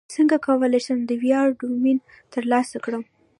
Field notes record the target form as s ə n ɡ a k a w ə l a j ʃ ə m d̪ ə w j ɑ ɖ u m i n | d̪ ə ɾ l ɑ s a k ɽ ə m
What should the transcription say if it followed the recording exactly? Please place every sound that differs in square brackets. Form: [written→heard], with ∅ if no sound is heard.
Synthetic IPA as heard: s ə [n→ŋ] ɡ a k a w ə l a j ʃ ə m d̪ ə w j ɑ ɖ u m i n | [d̪→t̪] ə ɾ l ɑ s a k ɽ ə m